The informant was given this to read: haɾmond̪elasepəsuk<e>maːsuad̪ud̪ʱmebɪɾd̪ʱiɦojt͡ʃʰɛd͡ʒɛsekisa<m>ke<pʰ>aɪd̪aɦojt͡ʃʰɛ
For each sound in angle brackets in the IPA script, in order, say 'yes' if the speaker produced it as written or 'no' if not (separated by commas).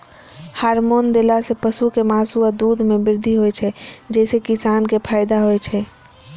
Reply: yes, no, yes